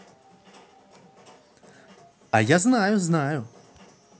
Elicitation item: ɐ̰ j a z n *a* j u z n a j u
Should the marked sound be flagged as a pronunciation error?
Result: no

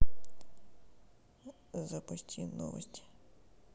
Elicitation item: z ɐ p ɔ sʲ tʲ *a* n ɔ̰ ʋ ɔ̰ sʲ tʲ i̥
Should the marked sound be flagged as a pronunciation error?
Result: yes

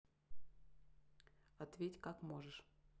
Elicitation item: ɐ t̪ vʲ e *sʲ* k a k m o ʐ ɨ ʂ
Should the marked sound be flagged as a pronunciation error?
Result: yes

